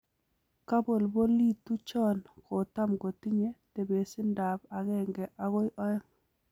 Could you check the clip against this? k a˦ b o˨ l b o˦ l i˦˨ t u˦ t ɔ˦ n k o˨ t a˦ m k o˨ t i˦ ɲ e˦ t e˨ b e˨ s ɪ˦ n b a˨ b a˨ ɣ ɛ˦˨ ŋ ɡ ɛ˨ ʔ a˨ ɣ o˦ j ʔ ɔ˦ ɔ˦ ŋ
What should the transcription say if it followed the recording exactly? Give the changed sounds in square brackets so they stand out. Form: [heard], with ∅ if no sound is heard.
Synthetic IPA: k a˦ b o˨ l b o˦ l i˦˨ t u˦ [t͡ʃ] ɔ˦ n k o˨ t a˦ m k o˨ t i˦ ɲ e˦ t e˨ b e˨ s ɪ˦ n [d] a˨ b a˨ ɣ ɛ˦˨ ŋ ɡ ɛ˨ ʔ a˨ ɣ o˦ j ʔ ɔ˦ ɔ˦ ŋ